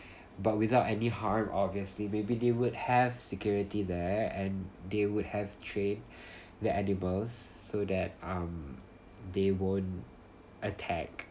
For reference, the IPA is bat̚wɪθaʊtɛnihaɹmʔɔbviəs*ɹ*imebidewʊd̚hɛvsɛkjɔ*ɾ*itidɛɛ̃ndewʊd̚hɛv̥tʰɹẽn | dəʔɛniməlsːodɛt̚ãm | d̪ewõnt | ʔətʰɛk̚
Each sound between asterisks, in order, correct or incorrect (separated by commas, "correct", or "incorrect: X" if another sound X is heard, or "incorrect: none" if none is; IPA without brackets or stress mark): incorrect: l, incorrect: ɹ